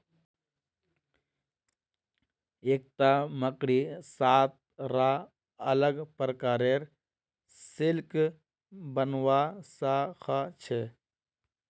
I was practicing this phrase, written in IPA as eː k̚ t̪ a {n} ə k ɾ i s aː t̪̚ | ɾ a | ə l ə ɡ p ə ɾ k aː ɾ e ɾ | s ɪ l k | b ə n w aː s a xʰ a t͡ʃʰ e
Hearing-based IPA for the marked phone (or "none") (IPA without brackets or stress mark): m